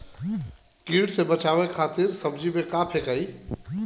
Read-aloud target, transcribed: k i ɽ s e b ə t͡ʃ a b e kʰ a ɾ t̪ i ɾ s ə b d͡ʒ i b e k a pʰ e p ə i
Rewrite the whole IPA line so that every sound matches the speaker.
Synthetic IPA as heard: k i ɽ s e b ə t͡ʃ a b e kʰ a t̪ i ɾ s ə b d͡ʒ i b e k a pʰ e k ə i